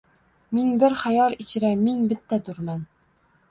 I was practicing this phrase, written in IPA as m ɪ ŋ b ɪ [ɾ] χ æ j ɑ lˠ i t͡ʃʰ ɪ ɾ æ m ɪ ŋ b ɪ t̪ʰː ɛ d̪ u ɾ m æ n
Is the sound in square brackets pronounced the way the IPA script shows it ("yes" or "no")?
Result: yes